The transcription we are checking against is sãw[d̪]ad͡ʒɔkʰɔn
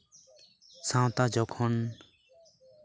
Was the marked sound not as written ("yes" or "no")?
yes